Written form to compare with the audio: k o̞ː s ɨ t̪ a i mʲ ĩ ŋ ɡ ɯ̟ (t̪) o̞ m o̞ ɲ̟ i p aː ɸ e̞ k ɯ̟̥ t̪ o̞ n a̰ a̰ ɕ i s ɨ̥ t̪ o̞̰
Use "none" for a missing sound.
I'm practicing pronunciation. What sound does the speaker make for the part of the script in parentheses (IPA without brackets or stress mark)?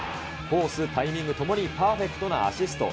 t̪